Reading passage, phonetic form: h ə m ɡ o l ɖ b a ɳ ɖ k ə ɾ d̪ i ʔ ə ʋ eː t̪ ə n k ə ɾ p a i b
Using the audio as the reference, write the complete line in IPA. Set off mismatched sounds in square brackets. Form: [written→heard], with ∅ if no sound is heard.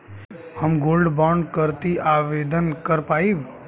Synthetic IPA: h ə m ɡ o l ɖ b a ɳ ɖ k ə ɾ [d̪→t̪] i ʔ [ə→a] ʋ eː [t̪→d̪] ə n k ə ɾ p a i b

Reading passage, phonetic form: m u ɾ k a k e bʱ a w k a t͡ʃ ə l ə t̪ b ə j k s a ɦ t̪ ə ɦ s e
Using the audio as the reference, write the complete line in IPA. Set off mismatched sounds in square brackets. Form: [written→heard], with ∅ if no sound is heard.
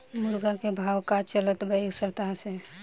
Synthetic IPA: m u ɾ [k→ɡ] a k e bʱ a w k a t͡ʃ ə l ə t̪ b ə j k s [a→ə] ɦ t̪ [ə→a] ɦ s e

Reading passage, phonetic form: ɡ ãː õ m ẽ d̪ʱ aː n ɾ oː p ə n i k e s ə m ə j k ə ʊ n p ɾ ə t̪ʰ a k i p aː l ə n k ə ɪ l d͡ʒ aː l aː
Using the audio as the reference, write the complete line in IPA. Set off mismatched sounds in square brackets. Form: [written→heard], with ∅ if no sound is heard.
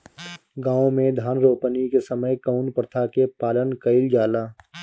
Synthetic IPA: ɡ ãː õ m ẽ d̪ʱ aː n ɾ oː p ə n i k e s ə m ə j k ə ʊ n p ɾ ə t̪ʰ a k [i→e] p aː l ə n k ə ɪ l d͡ʒ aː l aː

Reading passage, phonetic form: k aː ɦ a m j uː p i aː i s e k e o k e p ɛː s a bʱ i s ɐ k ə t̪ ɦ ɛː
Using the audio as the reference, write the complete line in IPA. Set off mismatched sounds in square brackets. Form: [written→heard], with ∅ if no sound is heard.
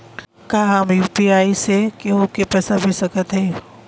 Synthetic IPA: k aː ɦ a m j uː p i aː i s e k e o k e p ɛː s a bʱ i s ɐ k ə t̪ ɦ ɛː

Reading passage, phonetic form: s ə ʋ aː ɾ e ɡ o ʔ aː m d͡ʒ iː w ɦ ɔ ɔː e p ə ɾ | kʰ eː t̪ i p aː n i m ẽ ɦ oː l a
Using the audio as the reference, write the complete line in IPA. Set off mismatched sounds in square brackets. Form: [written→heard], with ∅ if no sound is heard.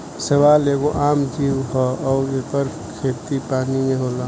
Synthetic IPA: s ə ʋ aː [ɾ→l] e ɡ o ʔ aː m d͡ʒ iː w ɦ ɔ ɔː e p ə ɾ | kʰ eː t̪ i p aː n i m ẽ ɦ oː l a

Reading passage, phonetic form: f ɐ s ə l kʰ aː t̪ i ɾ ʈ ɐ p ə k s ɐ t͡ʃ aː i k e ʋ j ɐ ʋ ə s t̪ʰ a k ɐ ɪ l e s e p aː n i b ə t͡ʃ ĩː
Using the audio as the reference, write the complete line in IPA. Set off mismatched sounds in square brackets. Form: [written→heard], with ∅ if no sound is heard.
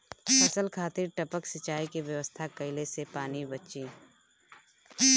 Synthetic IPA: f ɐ s ə l kʰ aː t̪ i ɾ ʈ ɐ p ə k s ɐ t͡ʃ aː i k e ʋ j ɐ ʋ ə s t̪ʰ a k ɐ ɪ l e s e p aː n i b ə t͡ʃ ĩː

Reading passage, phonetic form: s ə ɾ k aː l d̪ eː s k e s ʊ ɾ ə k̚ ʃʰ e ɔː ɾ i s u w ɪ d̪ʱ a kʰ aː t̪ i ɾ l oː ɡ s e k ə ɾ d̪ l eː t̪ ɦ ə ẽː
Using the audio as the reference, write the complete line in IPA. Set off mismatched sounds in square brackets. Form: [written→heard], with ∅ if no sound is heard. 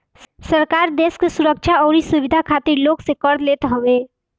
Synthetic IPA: s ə ɾ k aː [l→ɾ] d̪ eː s k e s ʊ ɾ ə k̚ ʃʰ [e→a] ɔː ɾ i s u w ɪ d̪ʱ a kʰ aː t̪ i ɾ l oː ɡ s e k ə ɾ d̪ l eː t̪ ɦ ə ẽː

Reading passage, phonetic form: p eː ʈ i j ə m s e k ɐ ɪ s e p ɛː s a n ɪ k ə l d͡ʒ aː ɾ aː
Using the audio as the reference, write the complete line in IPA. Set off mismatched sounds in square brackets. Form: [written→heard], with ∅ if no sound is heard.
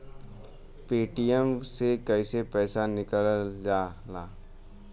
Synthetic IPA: p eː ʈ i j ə m s e k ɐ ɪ s e p ɛː s a n ɪ k ə l d͡ʒ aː [ɾ→l] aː

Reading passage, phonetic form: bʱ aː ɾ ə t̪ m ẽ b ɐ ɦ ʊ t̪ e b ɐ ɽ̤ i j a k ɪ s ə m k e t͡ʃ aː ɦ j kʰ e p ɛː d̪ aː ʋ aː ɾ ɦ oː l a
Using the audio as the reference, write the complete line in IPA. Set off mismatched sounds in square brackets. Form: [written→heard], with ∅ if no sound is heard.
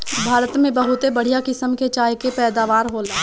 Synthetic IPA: bʱ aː ɾ ə t̪ m ẽ b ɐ ɦ ʊ t̪ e b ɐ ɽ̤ i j a k ɪ s ə m k e t͡ʃ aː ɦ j [kʰ→k] e p ɛː d̪ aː ʋ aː ɾ ɦ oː l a

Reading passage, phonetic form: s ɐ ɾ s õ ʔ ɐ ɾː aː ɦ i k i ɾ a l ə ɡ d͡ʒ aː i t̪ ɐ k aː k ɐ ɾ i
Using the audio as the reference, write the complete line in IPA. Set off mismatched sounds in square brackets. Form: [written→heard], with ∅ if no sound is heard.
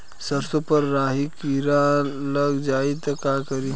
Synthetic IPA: s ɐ ɾ s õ [ʔ→p] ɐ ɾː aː ɦ i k i ɾ a l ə ɡ d͡ʒ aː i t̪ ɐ k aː k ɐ ɾ i

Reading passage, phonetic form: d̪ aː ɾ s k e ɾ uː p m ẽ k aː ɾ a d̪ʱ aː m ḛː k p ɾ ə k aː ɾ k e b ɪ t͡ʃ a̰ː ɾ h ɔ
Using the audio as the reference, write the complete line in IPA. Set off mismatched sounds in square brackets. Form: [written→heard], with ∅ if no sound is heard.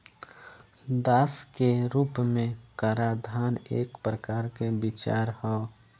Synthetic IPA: d̪ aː [ɾ→∅] s k e ɾ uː p m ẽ k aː ɾ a d̪ʱ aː [m→n] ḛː k p ɾ ə k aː ɾ k e b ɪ t͡ʃ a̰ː ɾ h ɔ

